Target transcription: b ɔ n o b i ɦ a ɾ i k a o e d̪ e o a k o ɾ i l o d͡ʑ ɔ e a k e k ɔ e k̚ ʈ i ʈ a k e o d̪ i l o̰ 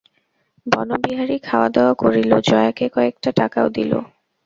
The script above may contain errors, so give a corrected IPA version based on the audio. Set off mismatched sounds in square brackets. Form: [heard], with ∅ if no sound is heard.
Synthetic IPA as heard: b ɔ n o b i ɦ a ɾ i [kʰ] a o [a] d̪ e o a k o ɾ i l o d͡ʑ ɔ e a k e k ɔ e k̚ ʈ [a] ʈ a k [a] o d̪ i l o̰

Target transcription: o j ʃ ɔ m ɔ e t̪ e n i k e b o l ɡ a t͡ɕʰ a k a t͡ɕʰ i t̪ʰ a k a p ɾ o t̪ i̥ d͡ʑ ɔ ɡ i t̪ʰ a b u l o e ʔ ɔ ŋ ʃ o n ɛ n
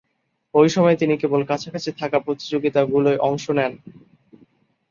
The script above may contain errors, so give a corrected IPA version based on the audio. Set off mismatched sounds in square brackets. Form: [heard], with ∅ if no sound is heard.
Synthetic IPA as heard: o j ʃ ɔ m ɔ e t̪ [i] n i k e b o l [k] a t͡ɕʰ a k a t͡ɕʰ i t̪ʰ a k a p ɾ o t̪ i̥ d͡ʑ [o] ɡ i [t̪] a [ɡ] u l o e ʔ ɔ ŋ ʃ o n ɛ n

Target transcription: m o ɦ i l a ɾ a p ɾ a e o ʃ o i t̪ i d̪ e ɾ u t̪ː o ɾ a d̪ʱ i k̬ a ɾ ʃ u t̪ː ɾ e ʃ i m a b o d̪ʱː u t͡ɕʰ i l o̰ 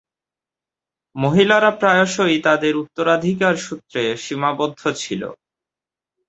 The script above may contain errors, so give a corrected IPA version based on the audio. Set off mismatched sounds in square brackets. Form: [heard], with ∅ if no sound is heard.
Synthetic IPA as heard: m o ɦ i l a ɾ a p ɾ a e o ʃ o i t̪ [a] d̪ e ɾ u t̪ː o ɾ a d̪ʱ i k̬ a ɾ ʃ u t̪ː ɾ e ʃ i m a b o d̪ʱː [o] t͡ɕʰ i l o̰

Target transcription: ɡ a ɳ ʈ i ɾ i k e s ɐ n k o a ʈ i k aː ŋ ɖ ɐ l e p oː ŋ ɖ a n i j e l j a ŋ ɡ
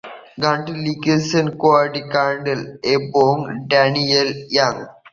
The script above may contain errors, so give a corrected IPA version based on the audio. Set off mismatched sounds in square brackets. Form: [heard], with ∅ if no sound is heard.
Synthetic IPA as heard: ɡ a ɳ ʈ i [l] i k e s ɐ n k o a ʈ i k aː [ɳ] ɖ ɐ l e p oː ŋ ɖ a n i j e l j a ŋ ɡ

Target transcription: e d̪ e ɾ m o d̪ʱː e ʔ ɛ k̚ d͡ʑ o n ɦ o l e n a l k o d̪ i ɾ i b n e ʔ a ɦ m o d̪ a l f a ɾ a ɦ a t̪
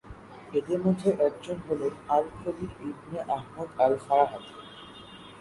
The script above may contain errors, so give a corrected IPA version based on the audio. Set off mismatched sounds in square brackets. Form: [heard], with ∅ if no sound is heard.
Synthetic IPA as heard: e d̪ e ɾ m o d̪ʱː e ʔ ɛ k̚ d͡ʑ o n ɦ o l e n a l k o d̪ i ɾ i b n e ʔ a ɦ m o d̪ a l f a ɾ a ɦ a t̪

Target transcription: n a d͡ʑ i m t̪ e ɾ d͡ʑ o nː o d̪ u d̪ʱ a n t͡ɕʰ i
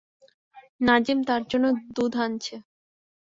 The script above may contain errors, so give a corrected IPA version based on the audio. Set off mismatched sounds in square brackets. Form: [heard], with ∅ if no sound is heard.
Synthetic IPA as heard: n a d͡ʑ i m t̪ [a] ɾ d͡ʑ o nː o d̪ u d̪ʱ a n t͡ɕʰ [e]

